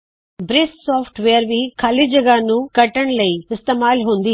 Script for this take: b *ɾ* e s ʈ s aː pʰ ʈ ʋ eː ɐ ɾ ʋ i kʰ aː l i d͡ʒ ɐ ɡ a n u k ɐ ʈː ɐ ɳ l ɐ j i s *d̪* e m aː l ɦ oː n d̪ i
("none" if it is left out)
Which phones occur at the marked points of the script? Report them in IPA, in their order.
ɾ, t̪

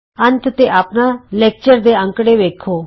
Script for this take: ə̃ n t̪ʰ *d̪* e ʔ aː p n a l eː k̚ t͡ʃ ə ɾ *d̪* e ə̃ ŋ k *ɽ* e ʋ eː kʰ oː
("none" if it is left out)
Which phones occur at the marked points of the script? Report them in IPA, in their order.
t̪, d̪, ɽ

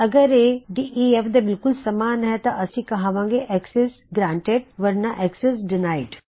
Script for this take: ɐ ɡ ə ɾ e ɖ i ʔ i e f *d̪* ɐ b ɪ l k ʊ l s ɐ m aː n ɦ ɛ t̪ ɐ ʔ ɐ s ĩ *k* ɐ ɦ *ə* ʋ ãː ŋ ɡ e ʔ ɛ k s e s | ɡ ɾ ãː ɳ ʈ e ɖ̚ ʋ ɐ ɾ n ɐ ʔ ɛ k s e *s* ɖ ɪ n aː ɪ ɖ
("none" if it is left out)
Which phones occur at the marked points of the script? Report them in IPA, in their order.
d̪, k, a, s

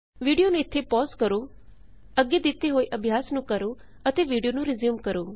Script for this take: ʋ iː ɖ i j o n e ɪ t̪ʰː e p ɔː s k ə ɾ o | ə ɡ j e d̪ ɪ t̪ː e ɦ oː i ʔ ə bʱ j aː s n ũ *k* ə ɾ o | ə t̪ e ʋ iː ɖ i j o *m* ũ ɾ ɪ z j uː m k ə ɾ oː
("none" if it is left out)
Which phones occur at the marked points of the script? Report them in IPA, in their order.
k, n

